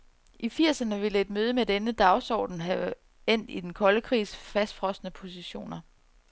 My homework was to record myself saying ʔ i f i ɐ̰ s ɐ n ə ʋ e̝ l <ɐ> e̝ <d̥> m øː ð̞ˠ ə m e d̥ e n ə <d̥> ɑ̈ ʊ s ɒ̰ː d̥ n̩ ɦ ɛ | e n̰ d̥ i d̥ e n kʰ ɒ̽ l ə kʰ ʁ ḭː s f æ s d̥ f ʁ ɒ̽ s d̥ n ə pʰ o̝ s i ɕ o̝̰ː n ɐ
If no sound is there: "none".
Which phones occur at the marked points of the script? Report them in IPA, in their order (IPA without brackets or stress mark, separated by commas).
ə, d̥, d̥